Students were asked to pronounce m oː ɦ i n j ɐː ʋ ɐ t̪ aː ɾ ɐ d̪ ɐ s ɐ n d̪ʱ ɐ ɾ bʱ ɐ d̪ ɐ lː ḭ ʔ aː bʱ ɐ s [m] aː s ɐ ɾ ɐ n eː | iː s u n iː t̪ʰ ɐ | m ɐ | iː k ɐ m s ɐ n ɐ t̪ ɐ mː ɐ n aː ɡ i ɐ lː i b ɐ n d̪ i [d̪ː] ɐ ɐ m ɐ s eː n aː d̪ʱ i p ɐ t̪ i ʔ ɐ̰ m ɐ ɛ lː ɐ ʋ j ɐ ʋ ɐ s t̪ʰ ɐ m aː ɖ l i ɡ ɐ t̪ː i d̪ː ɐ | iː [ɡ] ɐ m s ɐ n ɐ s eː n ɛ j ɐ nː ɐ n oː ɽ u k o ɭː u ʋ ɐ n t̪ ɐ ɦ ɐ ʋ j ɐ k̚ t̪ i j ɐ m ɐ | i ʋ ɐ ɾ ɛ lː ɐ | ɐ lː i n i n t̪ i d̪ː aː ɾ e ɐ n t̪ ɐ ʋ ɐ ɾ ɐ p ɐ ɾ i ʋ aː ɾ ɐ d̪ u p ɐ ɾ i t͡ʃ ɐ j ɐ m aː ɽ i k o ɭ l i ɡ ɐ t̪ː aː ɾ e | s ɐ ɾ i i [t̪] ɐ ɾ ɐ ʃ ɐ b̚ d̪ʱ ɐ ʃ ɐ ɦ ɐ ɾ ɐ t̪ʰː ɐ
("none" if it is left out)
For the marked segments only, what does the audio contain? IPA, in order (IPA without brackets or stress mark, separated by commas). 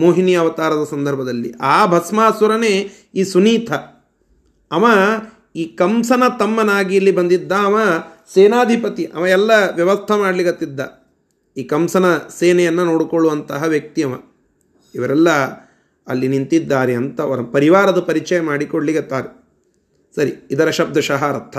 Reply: m, d̪ː, k, d̪